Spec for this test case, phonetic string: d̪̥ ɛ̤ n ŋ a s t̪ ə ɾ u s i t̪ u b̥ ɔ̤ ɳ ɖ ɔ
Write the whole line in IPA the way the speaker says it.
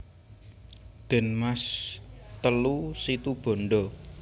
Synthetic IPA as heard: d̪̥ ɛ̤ n m a s t̪ ə l u s i t̪ u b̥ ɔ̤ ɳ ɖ ɔ